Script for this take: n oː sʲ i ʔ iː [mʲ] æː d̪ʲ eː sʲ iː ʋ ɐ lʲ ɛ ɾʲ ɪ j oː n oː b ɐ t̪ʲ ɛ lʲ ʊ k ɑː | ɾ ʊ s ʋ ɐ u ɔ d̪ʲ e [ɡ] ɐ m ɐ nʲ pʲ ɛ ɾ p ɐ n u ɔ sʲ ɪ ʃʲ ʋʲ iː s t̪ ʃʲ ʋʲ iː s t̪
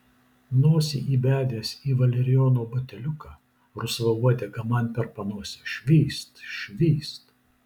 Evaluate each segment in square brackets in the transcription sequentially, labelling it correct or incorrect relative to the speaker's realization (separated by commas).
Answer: incorrect, correct